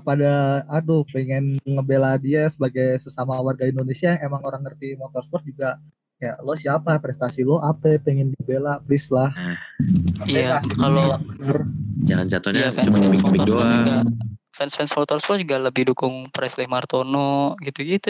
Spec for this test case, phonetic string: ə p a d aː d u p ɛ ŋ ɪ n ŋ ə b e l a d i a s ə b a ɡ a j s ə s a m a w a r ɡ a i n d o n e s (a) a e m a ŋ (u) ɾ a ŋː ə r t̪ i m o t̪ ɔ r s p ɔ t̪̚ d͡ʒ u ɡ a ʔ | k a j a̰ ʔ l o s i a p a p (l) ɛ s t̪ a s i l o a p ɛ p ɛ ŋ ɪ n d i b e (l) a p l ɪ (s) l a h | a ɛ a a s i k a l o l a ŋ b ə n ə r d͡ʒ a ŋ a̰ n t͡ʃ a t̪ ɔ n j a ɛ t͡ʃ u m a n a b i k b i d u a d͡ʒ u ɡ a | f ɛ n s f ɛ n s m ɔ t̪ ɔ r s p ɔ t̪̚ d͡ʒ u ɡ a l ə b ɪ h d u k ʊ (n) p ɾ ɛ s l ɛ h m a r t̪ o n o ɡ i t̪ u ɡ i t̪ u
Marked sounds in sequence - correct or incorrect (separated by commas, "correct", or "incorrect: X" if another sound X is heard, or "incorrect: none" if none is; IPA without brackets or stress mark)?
incorrect: i, incorrect: o, incorrect: ɾ, correct, correct, incorrect: ŋ